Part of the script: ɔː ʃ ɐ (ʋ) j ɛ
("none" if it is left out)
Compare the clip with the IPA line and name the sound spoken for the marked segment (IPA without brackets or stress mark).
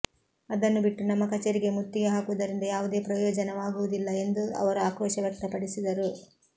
ʋ